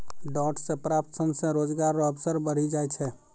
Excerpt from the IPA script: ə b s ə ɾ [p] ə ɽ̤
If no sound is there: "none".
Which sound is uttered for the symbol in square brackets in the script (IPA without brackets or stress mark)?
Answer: b